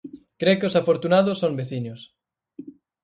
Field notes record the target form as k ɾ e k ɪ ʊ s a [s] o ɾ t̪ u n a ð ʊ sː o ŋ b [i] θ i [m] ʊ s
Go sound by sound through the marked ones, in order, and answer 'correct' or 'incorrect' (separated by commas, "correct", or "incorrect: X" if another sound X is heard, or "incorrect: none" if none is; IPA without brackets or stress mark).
incorrect: f, incorrect: e, incorrect: ɲ